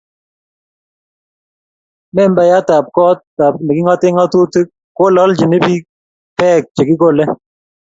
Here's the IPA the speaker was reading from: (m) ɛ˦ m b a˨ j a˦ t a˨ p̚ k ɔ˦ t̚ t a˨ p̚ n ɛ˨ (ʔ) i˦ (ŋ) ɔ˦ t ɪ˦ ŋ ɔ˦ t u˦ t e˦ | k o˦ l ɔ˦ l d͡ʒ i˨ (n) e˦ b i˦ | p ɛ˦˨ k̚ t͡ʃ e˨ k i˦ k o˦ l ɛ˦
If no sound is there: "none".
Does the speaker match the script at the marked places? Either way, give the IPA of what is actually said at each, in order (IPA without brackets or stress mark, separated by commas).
m, k, ŋ, n